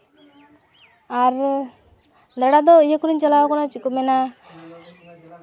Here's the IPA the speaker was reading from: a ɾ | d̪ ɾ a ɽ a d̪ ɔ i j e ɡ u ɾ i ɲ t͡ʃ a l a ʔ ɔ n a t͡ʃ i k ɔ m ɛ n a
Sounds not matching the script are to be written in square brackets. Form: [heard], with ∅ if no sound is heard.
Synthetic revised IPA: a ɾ | d̪ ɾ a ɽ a d̪ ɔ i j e [k] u ɾ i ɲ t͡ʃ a l a [k] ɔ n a t͡ʃ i k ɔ m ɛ n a